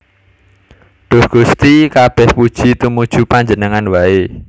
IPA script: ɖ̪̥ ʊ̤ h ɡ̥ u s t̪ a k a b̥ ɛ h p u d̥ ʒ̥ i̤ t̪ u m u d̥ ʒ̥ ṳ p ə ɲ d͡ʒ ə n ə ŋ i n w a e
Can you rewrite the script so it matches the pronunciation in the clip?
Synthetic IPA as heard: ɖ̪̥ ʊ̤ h ɡ̥ u s t̪ i k a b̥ ɛ h p u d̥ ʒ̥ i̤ t̪ u m u d̥ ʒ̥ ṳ p a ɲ d͡ʒ ə n ə ŋ a n w a e